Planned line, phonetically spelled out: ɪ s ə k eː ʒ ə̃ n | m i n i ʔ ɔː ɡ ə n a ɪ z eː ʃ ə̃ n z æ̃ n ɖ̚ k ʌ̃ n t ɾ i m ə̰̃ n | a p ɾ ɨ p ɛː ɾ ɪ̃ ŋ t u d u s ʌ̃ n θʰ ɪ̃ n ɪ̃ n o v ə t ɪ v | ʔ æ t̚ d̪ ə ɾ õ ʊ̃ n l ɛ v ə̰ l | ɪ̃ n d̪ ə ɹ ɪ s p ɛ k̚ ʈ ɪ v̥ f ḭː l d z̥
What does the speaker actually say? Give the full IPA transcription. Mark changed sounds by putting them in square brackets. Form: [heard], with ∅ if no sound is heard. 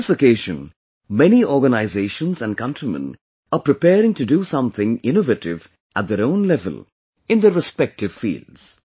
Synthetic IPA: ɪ s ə k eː ʒ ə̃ n | m [ɛ] n i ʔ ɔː ɡ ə n a ɪ z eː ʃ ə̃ n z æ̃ n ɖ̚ k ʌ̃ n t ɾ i m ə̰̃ n | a p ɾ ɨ p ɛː ɾ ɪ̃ ŋ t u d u s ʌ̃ [m] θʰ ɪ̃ [ŋ] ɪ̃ n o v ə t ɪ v | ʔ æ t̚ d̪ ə ɾ õ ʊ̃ n l ɛ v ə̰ l | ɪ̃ n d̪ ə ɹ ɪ s p ɛ k̚ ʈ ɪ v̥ f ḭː l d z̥